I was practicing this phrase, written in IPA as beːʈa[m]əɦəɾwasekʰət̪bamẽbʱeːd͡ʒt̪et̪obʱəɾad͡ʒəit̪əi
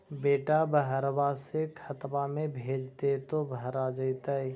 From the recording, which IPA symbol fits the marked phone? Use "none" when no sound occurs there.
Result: b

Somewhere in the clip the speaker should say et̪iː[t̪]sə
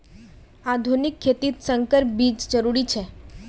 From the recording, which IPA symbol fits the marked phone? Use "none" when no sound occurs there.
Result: t̪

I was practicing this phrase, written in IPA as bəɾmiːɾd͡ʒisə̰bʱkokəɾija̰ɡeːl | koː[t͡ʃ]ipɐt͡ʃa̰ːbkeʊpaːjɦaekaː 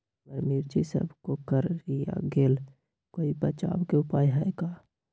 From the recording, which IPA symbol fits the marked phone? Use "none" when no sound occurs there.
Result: none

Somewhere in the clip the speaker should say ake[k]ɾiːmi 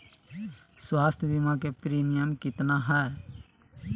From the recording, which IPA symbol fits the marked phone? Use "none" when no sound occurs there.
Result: p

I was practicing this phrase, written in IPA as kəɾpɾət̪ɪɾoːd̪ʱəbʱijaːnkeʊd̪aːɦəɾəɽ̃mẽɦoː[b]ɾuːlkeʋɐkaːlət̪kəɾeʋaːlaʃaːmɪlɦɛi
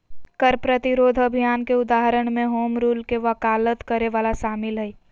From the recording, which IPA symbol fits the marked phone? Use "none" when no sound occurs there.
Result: m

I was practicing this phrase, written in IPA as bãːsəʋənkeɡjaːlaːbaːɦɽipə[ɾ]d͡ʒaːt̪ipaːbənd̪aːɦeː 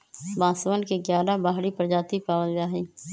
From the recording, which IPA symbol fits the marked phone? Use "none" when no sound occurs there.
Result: ɾ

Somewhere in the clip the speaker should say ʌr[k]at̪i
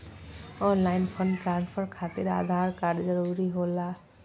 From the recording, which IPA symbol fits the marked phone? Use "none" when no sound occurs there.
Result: kʰ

